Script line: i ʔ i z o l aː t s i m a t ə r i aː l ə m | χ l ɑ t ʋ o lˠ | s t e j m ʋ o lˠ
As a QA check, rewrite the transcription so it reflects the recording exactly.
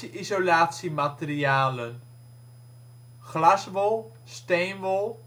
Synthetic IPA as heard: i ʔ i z o l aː t s i m a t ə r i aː l ə n | χ l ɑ s ʋ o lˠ | s t e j n ʋ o lˠ